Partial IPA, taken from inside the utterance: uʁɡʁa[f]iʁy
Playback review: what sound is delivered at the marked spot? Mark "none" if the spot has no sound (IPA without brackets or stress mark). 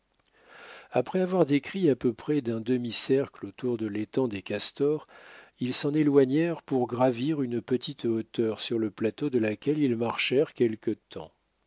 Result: v